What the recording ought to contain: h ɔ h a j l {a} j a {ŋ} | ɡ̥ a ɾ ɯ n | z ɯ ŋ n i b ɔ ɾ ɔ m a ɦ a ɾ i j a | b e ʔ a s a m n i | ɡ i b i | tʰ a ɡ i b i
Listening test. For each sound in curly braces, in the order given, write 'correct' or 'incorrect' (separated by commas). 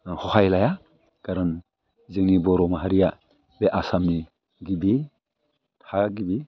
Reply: correct, incorrect